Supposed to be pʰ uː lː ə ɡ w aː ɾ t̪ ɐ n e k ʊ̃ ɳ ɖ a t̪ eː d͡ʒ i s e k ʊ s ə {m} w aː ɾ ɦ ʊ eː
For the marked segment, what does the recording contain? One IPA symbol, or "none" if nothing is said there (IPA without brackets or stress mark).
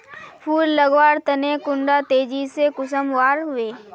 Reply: m